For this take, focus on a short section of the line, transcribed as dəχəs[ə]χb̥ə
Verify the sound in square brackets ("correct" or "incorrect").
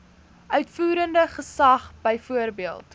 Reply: incorrect